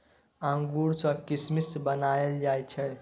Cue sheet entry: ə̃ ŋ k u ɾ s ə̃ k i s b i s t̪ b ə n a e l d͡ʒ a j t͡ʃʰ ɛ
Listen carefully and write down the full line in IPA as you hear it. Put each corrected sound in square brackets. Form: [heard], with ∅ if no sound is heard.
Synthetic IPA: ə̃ ŋ [ɡ] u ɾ s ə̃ k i s [m] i s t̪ b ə n a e l d͡ʒ a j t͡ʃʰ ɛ